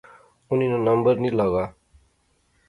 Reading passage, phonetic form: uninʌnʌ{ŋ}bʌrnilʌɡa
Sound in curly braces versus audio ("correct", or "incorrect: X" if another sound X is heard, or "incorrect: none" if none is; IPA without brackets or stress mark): incorrect: m